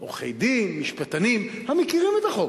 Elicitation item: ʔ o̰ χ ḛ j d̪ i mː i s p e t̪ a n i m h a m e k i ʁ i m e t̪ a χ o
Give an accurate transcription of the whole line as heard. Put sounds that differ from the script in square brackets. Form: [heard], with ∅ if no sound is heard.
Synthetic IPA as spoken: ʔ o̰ χ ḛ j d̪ i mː i [ʃ] p [a] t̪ a n i m h a m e k i ʁ i m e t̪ a χ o